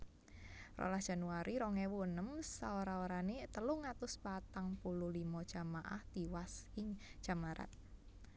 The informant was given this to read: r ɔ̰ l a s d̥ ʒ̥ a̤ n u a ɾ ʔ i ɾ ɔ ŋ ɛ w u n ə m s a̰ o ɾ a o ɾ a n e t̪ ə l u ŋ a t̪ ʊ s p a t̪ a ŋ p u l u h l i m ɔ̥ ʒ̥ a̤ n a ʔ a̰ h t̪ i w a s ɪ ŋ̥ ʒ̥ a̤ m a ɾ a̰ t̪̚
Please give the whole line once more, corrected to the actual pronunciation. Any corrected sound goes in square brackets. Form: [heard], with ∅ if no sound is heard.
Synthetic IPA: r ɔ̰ l a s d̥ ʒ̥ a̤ n u a ɾ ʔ i ɾ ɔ ŋ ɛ w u n ə m s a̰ o ɾ a o ɾ a n e t̪ ə l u ŋ a t̪ ʊ s p a t̪ a ŋ p u l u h l i m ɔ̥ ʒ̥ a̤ [m] a ʔ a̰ h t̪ i w a s ɪ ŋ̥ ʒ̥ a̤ m a ɾ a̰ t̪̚